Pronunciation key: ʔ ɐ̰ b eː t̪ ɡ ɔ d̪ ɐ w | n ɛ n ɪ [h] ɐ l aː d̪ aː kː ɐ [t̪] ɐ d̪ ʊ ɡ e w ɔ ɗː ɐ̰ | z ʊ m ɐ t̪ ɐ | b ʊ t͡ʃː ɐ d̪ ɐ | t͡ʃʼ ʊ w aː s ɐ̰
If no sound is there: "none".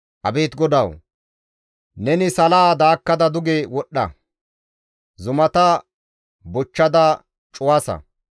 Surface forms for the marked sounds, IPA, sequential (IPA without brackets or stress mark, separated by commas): s, d̪